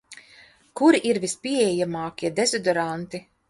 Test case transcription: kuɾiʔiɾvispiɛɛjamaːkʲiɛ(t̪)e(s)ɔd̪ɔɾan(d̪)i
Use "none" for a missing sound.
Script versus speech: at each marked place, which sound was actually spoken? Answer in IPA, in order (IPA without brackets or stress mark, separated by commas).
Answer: d̪, z, t̪